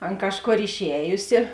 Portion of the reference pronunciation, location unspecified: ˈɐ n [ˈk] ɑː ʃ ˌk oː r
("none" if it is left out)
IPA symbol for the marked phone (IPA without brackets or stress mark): k